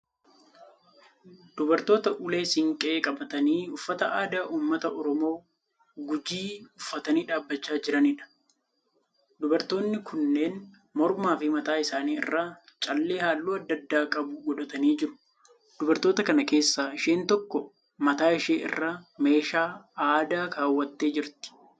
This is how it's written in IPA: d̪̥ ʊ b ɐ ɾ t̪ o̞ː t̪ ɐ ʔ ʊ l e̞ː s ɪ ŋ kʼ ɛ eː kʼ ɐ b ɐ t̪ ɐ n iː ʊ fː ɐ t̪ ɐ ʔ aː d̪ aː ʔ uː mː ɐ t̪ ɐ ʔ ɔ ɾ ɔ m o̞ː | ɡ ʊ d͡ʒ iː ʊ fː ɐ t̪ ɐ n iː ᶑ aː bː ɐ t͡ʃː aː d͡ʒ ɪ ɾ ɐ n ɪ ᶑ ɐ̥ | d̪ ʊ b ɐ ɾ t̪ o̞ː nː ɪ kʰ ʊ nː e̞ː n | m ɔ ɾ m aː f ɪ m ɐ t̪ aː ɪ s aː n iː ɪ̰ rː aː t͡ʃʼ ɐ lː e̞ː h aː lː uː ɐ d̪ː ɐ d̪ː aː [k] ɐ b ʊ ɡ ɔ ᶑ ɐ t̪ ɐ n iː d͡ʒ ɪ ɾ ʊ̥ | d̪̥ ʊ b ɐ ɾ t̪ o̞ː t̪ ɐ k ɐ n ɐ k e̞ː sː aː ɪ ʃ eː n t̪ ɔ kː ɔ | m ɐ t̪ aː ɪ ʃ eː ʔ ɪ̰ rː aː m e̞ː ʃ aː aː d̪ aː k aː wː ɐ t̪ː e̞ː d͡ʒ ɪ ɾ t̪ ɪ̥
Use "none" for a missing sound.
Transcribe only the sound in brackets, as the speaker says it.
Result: kʼ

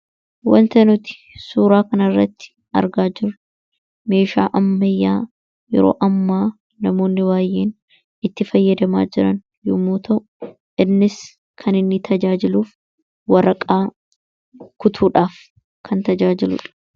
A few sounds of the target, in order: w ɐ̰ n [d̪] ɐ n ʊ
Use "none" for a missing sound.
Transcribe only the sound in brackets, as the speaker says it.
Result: t̪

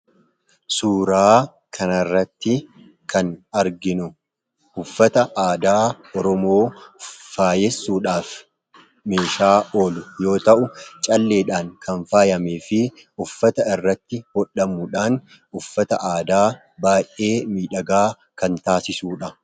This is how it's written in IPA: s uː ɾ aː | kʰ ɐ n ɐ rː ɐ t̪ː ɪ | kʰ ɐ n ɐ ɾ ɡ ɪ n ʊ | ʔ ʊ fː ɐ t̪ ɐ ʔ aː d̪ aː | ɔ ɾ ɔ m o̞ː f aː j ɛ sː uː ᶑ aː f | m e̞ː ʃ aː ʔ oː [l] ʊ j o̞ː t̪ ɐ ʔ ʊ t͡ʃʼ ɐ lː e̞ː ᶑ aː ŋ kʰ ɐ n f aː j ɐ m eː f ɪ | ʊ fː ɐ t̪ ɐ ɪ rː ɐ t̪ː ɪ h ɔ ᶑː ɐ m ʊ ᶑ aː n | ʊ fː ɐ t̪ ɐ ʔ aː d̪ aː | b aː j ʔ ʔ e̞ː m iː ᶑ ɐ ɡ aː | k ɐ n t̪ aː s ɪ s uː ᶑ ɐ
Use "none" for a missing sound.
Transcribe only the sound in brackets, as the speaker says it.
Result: l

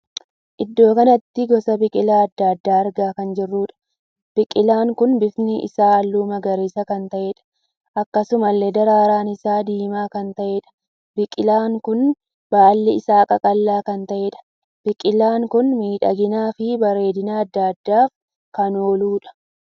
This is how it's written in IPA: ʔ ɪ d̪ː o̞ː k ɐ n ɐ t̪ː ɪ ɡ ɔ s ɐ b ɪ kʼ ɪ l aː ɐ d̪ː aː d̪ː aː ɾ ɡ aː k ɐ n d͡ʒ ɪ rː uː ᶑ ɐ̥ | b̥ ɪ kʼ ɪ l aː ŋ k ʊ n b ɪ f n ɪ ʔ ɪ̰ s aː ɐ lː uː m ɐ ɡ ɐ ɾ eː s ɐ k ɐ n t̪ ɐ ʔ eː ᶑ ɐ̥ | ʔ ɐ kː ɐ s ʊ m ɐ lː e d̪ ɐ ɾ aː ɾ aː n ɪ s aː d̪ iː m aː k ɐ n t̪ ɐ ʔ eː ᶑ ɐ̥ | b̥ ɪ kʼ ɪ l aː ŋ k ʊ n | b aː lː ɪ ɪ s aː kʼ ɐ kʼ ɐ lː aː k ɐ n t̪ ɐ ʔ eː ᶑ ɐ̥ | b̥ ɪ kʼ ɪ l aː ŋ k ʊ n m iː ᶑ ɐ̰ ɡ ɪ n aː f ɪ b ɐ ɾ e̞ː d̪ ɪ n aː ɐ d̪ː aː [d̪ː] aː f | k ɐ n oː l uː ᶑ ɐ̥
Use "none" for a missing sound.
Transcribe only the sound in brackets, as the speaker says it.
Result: d̪ː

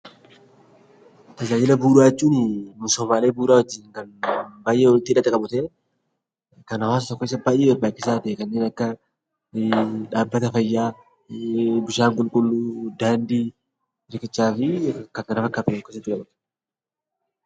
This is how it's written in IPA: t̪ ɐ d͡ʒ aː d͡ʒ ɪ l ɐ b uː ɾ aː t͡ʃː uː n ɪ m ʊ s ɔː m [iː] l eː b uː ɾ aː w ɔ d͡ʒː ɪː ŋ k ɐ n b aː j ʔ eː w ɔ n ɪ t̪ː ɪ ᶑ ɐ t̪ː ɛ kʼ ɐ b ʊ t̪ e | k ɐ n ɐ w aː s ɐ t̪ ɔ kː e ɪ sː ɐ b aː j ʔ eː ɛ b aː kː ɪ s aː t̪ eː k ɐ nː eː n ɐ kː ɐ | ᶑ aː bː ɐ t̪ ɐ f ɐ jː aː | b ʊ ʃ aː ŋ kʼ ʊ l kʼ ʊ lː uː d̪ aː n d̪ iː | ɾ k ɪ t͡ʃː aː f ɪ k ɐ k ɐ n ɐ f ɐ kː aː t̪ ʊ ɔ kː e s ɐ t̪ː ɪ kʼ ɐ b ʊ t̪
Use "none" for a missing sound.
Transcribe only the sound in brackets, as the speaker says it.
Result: aː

